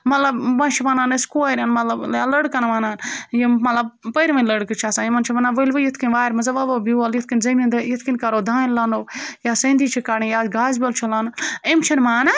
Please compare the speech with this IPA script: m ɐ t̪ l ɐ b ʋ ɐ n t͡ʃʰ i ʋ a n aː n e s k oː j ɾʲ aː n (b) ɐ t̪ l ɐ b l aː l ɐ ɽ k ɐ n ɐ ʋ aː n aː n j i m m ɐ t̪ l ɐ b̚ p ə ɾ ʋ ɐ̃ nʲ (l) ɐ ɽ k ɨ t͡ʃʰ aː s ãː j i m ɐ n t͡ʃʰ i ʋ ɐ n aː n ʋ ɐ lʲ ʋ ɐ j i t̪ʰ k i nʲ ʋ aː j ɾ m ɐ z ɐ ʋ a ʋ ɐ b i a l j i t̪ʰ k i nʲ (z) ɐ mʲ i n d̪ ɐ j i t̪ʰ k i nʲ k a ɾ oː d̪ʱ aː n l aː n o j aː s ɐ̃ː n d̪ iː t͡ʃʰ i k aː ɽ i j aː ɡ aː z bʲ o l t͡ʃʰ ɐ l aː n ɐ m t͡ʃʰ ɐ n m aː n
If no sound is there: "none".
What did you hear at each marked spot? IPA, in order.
m, l, z

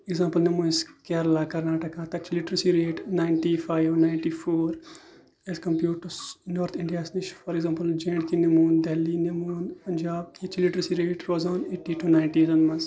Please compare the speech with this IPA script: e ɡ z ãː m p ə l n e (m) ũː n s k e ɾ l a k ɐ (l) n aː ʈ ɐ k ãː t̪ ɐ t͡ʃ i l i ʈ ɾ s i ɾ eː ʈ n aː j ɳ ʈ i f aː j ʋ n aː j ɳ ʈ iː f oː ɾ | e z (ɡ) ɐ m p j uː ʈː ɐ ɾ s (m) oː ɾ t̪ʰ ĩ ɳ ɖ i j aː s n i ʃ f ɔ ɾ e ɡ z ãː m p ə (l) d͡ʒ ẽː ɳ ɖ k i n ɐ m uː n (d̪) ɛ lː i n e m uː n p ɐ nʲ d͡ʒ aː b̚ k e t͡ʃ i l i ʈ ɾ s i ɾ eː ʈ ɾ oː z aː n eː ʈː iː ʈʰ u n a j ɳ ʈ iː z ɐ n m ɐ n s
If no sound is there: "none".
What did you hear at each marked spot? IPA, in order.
m, ɾ, k, n, l, d̪

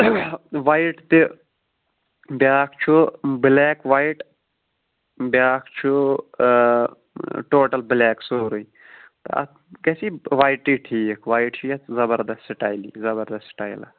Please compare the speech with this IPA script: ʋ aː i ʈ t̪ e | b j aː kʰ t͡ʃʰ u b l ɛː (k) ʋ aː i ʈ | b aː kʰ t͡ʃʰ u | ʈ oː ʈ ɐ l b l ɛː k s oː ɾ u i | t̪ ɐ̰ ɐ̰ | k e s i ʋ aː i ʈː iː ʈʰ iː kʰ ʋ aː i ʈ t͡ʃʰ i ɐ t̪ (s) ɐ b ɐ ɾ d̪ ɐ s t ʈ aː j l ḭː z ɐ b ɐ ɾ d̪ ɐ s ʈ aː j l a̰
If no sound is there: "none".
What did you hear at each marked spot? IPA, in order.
k, z

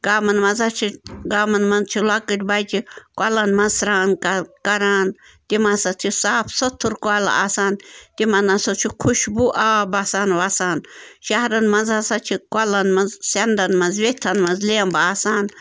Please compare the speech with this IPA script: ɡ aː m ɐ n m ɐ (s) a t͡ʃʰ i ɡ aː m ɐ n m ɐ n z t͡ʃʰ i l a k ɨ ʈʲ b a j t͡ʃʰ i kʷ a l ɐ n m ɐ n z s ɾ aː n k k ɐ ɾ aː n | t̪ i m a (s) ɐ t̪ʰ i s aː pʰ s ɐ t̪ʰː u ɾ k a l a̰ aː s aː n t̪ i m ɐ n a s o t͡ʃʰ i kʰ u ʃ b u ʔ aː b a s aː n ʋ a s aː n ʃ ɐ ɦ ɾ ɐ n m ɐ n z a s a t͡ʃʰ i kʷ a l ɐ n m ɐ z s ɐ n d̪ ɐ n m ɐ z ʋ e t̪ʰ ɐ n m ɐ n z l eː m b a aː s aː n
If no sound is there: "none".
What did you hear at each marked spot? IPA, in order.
z, s

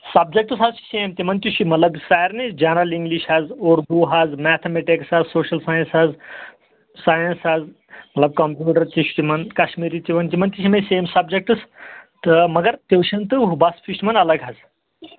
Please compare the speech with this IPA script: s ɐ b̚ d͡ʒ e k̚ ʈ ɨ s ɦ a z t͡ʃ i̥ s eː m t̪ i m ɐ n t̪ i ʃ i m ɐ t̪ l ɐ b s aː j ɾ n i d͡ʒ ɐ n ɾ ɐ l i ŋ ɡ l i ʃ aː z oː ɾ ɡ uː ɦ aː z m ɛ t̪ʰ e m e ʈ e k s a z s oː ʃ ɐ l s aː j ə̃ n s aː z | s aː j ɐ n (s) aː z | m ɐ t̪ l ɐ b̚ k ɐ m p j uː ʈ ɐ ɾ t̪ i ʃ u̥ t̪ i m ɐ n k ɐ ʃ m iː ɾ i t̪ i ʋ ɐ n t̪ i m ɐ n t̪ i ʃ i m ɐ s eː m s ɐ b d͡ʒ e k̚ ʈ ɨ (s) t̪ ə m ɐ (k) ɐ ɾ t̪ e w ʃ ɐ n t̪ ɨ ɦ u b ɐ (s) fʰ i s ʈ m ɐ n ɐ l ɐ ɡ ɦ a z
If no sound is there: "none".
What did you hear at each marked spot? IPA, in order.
s, s, ɡ, s

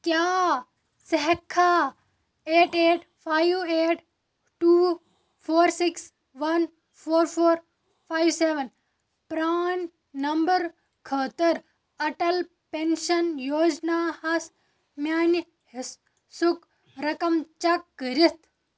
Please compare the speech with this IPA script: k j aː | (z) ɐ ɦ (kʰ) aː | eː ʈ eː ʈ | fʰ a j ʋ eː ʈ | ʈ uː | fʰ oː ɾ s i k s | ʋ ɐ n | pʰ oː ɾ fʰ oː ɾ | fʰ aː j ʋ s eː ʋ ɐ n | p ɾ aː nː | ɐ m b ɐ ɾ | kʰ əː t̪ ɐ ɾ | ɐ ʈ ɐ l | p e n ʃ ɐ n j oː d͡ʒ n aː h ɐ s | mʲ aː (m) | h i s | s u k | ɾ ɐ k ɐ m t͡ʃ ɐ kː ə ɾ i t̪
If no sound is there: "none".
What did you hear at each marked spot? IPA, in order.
s, kʰ, n

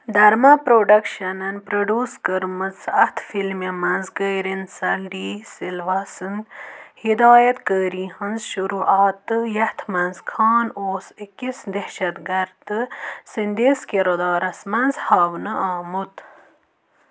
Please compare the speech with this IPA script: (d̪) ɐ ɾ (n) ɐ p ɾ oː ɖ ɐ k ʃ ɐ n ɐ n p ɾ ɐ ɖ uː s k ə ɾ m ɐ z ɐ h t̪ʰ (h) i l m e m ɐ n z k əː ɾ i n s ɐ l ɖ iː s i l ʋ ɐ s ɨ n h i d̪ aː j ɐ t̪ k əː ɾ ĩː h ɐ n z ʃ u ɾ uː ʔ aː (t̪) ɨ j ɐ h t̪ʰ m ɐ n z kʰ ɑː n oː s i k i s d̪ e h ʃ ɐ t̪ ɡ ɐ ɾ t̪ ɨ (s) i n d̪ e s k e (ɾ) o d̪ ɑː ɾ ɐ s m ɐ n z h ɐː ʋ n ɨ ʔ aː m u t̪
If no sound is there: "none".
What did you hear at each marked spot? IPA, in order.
d̪, m, f, t̪, s, ɾ

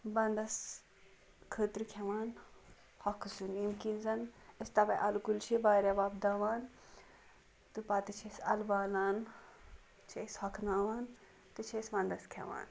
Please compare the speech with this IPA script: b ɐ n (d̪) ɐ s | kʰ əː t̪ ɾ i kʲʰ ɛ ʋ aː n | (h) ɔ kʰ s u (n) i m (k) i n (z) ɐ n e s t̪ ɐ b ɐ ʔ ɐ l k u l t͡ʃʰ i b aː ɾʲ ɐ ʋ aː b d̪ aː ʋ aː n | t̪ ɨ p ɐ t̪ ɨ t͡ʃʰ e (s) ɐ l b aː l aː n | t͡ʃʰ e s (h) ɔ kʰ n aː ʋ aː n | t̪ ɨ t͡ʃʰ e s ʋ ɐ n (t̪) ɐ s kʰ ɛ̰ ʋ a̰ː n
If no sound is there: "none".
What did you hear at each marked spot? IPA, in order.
d̪, h, n, k, z, s, h, d̪

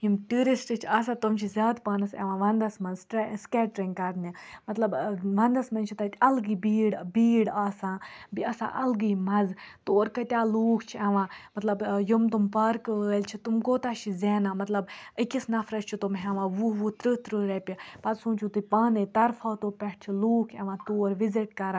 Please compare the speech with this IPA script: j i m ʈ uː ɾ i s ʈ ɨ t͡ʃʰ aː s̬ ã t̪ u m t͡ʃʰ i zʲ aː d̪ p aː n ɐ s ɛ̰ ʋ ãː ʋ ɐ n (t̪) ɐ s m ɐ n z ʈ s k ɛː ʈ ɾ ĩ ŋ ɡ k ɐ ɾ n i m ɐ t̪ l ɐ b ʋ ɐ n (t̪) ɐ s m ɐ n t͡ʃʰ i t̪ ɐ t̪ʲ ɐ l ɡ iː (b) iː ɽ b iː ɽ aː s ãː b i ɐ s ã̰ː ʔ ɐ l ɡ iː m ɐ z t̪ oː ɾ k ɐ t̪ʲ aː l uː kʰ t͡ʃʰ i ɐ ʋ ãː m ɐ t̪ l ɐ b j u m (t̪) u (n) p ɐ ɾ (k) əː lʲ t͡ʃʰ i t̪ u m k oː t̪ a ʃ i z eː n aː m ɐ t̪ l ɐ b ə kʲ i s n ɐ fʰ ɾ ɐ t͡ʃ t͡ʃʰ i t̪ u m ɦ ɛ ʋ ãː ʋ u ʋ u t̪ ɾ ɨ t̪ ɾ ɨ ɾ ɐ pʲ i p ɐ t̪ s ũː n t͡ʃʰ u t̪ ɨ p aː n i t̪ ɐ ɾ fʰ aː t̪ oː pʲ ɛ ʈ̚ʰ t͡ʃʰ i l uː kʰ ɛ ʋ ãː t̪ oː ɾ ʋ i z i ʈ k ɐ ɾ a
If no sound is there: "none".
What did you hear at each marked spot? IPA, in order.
d̪, d̪, b, t̪, m, k

